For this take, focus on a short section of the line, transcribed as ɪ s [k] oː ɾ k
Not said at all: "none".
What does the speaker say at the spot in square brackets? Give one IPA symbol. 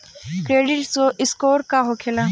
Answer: k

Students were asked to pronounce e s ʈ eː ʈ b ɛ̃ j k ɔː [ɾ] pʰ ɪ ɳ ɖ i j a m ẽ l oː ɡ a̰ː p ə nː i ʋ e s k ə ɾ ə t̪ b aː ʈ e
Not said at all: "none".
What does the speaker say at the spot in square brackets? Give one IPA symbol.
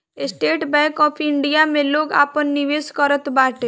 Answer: none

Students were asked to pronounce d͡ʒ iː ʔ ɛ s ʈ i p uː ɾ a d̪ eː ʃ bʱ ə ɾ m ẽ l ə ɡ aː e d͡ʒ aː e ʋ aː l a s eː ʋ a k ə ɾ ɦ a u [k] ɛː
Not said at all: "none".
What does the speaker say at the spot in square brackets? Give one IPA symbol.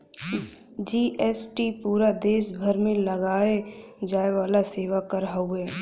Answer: none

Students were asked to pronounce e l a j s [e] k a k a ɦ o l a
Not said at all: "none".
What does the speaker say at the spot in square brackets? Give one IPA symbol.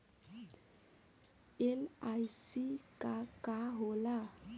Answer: i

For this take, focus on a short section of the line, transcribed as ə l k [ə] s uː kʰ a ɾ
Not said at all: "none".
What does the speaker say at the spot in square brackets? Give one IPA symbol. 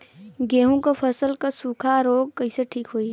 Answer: a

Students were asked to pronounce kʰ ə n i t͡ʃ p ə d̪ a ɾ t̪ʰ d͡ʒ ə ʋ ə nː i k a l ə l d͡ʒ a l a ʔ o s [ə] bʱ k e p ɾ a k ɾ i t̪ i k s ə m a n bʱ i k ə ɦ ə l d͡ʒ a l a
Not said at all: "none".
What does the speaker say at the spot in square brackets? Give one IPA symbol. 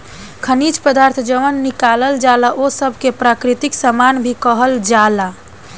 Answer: ə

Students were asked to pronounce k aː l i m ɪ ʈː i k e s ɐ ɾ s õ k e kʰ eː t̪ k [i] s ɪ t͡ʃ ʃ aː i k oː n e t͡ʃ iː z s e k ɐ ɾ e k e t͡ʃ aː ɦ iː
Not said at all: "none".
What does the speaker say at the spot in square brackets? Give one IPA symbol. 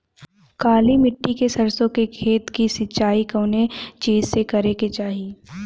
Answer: i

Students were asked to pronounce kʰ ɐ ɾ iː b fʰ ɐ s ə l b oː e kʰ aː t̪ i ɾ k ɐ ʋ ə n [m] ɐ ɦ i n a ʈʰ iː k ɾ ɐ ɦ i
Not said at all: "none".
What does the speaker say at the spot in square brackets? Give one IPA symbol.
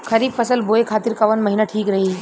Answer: m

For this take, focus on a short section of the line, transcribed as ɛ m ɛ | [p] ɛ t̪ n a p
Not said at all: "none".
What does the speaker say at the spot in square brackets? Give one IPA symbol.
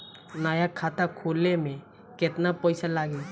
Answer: k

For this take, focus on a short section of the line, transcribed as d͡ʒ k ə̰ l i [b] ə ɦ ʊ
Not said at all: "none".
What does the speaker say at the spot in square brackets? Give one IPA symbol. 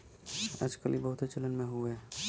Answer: b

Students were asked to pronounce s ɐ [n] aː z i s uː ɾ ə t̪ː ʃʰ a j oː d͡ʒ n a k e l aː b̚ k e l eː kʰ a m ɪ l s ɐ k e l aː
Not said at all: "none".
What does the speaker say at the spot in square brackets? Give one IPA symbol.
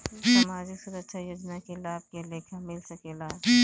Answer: m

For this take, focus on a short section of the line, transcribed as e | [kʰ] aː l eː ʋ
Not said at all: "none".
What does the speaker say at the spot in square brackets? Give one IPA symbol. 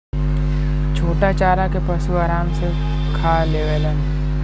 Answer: kʰ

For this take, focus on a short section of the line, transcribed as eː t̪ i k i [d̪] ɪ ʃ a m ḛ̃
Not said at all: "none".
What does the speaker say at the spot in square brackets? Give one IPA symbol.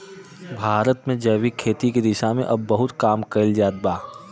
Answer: d̪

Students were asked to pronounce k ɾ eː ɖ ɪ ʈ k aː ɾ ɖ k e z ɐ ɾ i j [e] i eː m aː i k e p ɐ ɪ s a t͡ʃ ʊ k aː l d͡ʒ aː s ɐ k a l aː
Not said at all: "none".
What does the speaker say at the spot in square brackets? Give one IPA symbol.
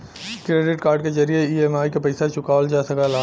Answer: e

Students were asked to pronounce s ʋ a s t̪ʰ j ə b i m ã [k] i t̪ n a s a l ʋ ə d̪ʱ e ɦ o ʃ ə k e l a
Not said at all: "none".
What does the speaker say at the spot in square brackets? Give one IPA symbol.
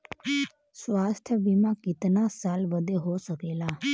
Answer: k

